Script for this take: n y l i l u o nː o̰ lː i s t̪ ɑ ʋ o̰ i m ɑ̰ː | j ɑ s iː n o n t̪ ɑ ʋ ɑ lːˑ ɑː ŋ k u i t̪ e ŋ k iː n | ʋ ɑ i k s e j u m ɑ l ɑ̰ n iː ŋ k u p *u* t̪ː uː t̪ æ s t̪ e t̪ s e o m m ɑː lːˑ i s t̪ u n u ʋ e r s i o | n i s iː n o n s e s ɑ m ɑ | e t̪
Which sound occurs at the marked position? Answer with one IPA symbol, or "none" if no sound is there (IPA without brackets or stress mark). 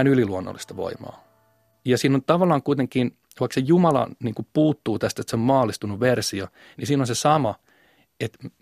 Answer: uː